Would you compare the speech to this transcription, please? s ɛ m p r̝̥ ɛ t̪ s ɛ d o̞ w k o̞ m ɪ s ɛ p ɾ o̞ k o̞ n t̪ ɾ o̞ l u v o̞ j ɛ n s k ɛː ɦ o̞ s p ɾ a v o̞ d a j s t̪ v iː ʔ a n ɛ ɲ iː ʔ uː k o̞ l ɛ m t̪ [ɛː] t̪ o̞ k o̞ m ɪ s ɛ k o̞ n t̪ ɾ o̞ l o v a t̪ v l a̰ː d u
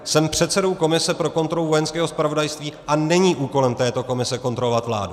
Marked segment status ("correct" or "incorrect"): correct